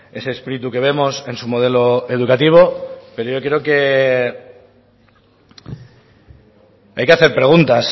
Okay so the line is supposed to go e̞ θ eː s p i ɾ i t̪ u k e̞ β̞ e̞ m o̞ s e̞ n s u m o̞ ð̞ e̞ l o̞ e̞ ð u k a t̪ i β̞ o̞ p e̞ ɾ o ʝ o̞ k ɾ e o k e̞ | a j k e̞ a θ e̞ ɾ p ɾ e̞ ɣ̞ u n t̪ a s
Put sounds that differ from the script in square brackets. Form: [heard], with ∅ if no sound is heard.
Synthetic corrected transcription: e̞ [s] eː s p i ɾ i t̪ u k e̞ β̞ e̞ m o̞ s e̞ n s u m o̞ ð̞ e̞ l o̞ e̞ ð u k a t̪ i β̞ o̞ p e̞ ɾ o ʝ o̞ k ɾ e o k e̞ | a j k e̞ a θ e̞ ɾ p ɾ e̞ ɣ̞ u n t̪ a s